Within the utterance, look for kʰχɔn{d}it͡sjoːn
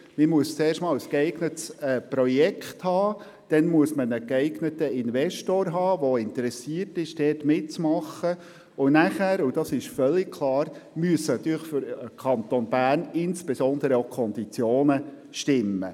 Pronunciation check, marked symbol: correct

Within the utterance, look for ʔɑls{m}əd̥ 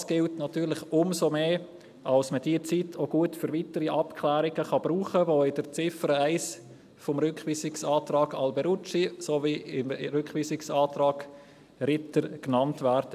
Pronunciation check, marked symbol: correct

